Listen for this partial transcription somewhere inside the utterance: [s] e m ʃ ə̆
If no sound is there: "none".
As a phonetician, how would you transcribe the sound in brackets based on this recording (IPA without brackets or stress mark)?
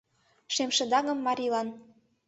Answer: ʃ